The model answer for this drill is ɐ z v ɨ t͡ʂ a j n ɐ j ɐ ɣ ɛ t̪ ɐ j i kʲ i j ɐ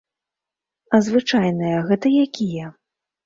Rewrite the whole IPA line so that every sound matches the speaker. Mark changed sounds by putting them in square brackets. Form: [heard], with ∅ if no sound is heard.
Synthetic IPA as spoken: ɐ z v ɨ t͡ʂ a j n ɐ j ɐ ɣ ɛ t̪ ɐ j [a] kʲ i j ɐ